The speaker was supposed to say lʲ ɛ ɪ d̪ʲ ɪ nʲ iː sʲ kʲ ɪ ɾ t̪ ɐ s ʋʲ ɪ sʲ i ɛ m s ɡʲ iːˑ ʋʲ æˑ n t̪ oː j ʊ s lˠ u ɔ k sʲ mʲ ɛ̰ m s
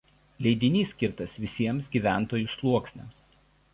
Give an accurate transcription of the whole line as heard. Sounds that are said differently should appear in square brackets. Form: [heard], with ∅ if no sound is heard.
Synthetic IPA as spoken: lʲ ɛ ɪ d̪ʲ ɪ nʲ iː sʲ kʲ ɪ ɾ t̪ ɐ s ʋʲ ɪ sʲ i ɛ m s ɡʲ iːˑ ʋʲ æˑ n t̪ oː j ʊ s lˠ u ɔ k sʲ [nʲ] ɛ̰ m s